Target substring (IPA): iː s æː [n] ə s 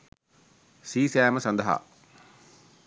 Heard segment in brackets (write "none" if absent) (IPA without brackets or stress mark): m